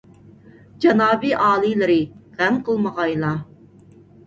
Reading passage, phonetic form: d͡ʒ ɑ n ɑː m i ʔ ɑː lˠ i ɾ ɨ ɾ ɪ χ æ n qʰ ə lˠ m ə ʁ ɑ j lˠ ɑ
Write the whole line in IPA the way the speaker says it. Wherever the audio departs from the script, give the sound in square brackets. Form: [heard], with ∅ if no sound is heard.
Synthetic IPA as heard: d͡ʒ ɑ n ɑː [b] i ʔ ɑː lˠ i [l] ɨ ɾ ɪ [ʁ] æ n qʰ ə lˠ m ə ʁ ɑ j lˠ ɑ